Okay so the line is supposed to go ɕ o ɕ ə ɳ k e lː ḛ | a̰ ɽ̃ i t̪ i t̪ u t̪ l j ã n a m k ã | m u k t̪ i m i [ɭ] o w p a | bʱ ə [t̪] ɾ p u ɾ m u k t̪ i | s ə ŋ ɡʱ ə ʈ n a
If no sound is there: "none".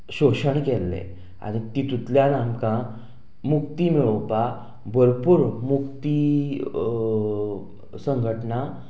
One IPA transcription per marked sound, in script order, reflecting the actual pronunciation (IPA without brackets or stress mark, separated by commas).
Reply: ɭ, none